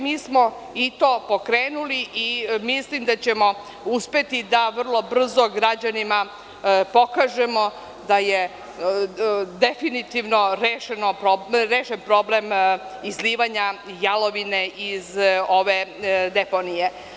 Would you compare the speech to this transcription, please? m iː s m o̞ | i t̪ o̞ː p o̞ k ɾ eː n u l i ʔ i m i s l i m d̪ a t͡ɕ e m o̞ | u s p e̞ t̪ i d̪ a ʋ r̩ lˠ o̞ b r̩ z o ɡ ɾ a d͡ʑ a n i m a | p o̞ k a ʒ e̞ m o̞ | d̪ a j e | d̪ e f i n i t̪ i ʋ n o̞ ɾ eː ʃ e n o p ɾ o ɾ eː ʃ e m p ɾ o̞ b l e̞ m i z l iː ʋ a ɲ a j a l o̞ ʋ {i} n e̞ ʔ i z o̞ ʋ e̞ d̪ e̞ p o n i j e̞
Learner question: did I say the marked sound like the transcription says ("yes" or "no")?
yes